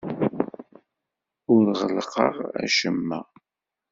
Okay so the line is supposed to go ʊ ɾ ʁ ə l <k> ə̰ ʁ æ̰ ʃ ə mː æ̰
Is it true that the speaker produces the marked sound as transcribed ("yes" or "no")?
no